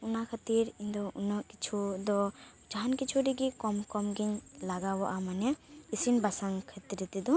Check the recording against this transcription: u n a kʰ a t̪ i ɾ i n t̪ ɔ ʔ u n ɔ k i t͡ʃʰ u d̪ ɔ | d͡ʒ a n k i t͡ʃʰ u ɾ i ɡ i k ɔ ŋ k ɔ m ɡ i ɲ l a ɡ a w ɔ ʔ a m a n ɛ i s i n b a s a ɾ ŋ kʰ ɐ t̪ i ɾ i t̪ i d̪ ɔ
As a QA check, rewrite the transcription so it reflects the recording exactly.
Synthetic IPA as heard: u n a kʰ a t̪ i ɾ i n d̪ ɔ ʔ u n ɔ k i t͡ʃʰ u d̪ ɔ | d͡ʒ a n k i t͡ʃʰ u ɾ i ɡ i k ɔ m k ɔ m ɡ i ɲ l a ɡ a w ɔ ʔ a m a n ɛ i s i n b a s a ŋ kʰ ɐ t̪ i ɾ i t̪ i d̪ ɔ